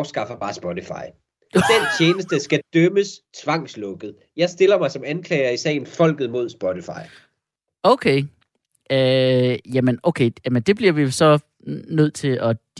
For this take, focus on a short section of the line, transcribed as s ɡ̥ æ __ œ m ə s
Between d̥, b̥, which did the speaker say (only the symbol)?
d̥